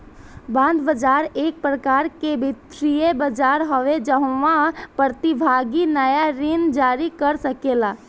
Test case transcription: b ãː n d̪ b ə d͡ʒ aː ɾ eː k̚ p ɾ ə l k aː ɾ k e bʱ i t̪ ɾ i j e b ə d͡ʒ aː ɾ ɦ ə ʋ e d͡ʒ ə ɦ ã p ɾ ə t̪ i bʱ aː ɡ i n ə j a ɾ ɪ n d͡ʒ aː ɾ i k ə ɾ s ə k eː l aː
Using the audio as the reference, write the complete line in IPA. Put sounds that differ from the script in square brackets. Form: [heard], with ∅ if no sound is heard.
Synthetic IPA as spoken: b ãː n d̪ b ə d͡ʒ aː ɾ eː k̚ p ɾ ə [∅] k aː ɾ k e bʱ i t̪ ɾ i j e b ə d͡ʒ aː ɾ ɦ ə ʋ e d͡ʒ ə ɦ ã p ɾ ə t̪ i bʱ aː ɡ i n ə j a ɾ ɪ n d͡ʒ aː ɾ i k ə ɾ s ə k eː l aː